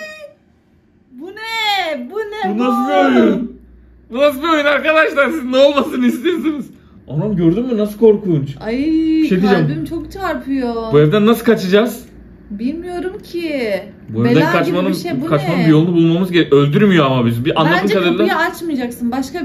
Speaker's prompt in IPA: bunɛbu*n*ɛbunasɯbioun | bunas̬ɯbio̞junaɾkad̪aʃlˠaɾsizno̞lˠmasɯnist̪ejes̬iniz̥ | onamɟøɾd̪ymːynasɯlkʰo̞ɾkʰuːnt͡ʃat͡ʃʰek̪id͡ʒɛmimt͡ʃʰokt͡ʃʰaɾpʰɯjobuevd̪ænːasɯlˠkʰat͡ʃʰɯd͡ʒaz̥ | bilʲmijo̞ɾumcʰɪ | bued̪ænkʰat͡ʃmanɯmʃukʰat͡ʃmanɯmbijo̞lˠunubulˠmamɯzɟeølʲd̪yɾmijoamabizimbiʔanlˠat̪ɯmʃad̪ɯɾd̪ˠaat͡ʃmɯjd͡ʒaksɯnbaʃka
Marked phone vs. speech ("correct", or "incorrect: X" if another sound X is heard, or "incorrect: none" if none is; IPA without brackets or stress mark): correct